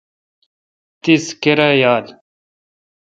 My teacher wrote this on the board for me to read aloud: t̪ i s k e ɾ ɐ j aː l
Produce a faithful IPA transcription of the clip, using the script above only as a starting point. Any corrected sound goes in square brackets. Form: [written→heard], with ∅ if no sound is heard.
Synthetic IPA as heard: t̪ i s k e ɾ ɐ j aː l